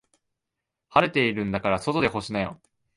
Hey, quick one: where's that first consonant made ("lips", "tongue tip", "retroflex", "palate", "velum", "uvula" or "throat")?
throat